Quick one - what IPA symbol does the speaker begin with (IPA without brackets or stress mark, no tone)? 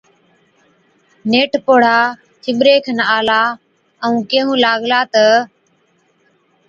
n